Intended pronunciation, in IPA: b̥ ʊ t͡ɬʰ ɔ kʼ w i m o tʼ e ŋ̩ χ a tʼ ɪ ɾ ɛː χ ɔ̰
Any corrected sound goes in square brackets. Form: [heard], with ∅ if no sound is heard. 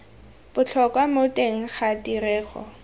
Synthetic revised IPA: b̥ ʊ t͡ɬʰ ɔ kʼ w [a] m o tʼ e ŋ̩ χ a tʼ [i] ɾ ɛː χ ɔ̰